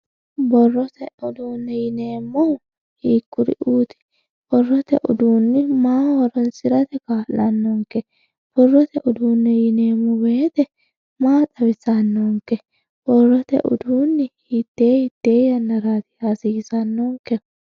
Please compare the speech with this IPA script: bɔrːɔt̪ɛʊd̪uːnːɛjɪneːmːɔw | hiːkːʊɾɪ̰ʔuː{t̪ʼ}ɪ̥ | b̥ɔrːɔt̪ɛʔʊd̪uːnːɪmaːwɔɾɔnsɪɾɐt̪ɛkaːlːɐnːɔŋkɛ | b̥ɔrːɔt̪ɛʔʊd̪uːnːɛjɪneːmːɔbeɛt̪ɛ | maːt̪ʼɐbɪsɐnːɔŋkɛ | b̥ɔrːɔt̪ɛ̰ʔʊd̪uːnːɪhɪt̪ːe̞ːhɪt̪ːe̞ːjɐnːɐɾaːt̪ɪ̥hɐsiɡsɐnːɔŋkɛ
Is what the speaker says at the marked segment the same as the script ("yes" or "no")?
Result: no